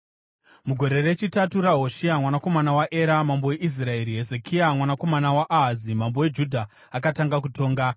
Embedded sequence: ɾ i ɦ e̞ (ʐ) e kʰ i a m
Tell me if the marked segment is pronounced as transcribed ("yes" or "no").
no